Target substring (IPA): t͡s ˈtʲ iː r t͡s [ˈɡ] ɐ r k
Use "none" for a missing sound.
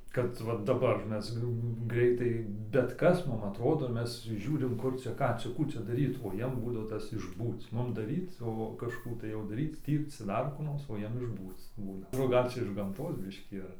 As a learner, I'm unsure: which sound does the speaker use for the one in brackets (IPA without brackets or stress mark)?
d